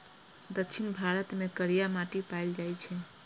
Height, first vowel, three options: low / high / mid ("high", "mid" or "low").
mid